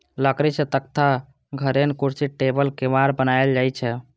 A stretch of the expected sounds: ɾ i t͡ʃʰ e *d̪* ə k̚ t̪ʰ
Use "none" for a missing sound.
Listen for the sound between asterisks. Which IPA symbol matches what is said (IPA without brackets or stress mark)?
t̪